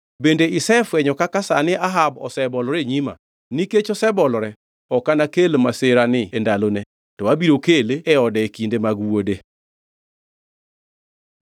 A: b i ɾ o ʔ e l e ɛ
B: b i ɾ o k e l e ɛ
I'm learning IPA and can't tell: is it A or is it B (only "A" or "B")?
B